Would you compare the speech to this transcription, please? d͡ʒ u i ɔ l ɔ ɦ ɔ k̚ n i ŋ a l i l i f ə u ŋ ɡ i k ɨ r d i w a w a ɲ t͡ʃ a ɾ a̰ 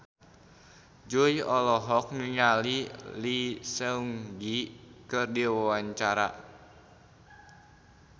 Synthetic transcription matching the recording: d͡ʒ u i ɔ l ɔ ɦ ɔ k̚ n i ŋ a l i l i s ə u ŋ ɡ i k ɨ r d i w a w a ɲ t͡ʃ a ɾ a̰